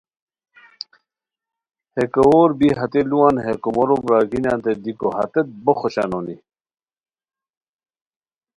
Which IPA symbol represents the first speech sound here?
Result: h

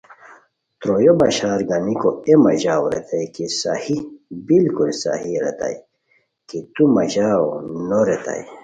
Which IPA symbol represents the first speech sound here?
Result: t̪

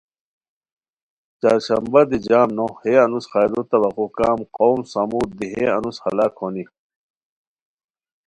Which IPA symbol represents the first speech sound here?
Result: t͡ɕ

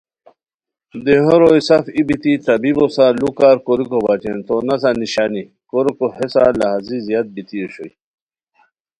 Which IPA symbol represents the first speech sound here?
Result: d̪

